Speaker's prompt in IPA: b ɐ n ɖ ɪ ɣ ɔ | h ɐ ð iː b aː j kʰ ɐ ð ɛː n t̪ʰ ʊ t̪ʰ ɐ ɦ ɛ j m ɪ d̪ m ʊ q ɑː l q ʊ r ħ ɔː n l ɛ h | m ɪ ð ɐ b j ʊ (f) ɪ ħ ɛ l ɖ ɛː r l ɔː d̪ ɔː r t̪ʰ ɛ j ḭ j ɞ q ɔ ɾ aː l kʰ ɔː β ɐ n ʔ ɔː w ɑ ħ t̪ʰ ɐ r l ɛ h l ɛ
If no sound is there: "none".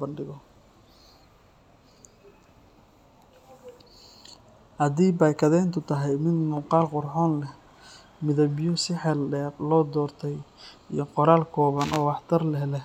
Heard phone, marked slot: s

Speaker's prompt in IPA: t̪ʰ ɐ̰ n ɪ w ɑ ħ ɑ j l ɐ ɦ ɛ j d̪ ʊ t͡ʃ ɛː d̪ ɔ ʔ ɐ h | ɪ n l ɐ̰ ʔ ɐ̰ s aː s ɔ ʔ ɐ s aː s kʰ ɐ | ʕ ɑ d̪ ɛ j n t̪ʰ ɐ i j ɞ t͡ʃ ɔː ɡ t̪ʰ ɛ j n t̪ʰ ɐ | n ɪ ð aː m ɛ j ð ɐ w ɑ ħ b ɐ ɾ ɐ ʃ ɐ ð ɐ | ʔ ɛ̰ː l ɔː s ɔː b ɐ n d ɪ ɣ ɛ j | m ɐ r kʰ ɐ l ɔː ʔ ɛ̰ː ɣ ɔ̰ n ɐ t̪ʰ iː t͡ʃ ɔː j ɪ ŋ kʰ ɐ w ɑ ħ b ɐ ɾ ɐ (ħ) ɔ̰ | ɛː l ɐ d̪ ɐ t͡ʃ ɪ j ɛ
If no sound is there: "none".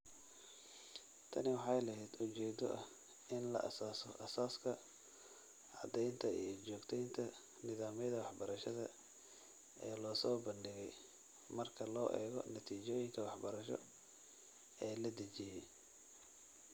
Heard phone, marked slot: ʃ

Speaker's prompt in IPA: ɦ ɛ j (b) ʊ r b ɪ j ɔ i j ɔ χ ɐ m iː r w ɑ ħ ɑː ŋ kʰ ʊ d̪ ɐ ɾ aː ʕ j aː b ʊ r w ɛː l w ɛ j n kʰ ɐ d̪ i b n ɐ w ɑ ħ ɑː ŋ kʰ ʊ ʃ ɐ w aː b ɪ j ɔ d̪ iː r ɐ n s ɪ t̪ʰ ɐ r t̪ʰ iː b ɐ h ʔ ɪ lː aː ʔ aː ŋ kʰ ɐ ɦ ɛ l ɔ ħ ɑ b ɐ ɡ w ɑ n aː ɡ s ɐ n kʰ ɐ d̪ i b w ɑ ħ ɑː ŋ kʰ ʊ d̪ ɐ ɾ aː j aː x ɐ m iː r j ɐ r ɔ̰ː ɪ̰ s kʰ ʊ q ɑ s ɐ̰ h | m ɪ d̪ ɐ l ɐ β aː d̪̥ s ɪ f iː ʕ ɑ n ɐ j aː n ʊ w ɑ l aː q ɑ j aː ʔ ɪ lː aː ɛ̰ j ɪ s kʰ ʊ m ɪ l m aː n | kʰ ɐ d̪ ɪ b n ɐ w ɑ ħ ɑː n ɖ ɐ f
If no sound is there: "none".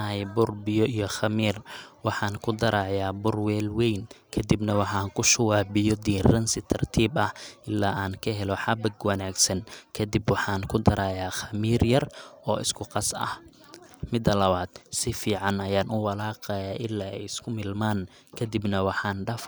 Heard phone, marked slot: b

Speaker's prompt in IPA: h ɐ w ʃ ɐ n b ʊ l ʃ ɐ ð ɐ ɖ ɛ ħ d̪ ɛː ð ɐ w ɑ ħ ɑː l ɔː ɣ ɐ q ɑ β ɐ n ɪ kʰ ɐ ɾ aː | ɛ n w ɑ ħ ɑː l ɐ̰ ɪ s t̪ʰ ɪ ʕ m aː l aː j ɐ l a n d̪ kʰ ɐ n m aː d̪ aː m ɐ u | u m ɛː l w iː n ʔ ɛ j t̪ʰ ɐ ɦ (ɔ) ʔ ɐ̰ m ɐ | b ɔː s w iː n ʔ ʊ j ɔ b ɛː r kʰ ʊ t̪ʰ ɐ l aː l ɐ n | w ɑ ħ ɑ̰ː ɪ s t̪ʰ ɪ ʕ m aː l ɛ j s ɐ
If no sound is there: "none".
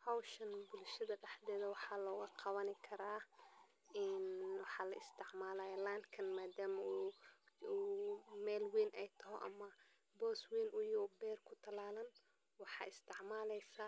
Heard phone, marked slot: ɔ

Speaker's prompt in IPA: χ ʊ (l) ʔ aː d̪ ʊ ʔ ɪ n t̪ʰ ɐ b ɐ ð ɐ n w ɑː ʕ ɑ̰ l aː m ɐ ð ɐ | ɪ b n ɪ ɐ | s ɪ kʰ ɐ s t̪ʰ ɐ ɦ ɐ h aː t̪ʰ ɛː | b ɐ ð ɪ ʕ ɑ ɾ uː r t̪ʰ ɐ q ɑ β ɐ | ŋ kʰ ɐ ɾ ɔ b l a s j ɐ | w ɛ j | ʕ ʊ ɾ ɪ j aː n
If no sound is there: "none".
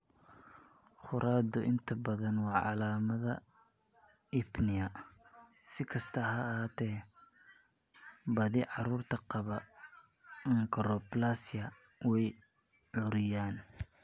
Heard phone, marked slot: ɾ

